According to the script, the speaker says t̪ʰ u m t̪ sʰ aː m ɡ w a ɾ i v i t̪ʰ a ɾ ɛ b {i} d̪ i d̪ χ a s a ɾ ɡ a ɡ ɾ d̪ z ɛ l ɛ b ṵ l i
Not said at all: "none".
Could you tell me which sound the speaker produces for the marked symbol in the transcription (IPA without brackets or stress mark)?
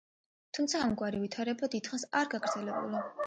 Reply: a